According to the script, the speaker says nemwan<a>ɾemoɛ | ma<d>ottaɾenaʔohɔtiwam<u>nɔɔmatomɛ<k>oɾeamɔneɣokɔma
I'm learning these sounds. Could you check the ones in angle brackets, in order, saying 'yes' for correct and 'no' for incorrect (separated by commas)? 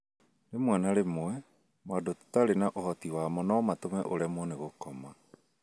yes, yes, no, no